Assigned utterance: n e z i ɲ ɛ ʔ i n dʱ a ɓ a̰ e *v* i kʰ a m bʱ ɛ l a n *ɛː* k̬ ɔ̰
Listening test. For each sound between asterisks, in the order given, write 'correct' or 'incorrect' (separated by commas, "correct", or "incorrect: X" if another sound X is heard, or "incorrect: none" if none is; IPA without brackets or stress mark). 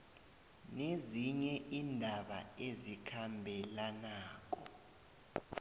incorrect: z, incorrect: aː